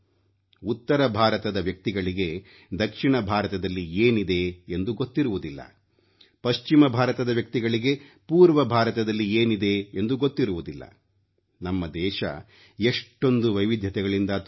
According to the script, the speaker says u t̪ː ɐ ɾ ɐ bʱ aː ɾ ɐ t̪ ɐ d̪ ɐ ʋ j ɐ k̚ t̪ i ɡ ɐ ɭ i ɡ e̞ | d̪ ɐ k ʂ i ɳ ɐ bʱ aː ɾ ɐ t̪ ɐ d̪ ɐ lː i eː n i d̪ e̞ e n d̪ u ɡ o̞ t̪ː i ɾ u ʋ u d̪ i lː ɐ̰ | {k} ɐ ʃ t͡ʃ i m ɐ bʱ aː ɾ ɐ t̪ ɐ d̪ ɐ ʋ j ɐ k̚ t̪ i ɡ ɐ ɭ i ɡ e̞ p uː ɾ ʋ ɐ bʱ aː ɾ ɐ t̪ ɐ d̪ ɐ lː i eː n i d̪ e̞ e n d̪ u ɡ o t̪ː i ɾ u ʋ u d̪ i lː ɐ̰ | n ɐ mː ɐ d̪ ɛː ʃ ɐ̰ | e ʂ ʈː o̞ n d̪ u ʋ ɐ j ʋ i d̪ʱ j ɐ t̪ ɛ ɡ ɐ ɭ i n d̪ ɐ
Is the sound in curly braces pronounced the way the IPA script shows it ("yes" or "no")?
no